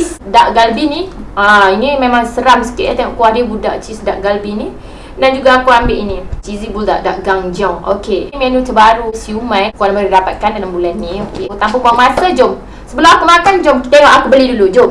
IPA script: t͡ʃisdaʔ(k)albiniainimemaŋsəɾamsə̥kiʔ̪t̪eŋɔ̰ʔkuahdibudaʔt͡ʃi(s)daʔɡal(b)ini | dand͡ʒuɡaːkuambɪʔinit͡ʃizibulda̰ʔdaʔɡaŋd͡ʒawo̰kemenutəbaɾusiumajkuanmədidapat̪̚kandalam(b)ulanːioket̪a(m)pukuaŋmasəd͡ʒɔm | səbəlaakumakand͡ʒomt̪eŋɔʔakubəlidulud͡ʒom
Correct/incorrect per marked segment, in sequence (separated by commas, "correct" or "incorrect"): incorrect, correct, correct, correct, correct